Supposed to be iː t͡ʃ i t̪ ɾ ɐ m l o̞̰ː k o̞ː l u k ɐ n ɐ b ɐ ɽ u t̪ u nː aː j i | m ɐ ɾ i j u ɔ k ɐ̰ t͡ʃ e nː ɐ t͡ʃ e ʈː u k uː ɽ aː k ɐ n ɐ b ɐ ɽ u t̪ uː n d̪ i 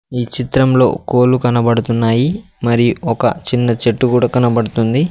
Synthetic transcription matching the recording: iː t͡ʃ i t̪ ɾ ɐ m l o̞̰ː k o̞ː l u k ɐ n ɐ b ɐ ɽ u t̪ u nː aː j i | m ɐ ɾ i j u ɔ k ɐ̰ t͡ʃ i nː ɐ t͡ʃ e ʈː u k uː ɽ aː k ɐ n ɐ b ɐ ɽ u t̪ u n d̪ i